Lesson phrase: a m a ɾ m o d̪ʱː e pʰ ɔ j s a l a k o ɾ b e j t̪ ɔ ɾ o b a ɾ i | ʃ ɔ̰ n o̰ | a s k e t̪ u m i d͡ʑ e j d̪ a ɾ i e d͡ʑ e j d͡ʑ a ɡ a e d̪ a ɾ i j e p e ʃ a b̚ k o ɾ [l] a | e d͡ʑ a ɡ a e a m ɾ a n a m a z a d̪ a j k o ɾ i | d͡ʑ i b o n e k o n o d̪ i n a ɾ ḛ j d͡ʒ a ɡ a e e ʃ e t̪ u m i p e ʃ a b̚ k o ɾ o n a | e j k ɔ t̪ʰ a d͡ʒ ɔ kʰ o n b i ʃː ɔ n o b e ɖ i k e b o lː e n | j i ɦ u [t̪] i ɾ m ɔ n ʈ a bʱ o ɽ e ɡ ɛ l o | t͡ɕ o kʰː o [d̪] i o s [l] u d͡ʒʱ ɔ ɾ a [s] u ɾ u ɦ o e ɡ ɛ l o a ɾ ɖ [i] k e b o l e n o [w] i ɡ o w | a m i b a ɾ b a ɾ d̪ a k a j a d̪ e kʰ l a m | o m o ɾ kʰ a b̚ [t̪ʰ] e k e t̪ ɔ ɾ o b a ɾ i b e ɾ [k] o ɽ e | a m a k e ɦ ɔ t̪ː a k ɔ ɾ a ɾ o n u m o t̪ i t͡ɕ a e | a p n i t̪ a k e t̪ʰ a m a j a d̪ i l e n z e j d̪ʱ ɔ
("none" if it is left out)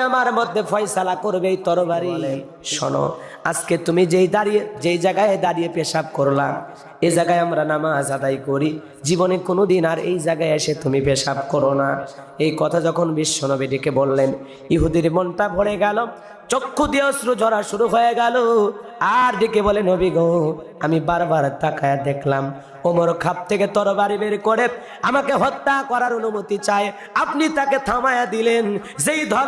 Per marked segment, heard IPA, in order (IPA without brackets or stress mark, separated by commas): l, d̪, d̪, ɾ, ʃ, i, b, t̪ʰ, k